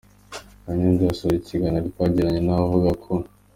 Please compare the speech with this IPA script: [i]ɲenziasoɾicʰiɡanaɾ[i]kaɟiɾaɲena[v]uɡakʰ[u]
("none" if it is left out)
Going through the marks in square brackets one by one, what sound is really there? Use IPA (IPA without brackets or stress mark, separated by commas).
a, i, v, o